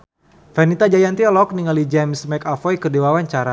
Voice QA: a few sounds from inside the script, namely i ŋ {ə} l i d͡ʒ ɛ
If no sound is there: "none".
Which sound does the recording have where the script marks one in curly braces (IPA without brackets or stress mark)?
a